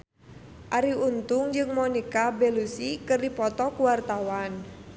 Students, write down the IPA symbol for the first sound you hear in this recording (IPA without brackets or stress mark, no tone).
ʔ